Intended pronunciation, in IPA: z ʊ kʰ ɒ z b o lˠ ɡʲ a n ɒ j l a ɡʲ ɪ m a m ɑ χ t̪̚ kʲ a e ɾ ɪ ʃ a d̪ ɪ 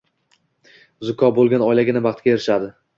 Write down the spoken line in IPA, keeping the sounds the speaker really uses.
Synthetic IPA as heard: z ʊ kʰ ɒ b o lˠ ɡʲ a n ɒ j l a ɡʲ ɪ n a b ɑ χ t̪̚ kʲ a e ɾ ɪ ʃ a d̪ ɪ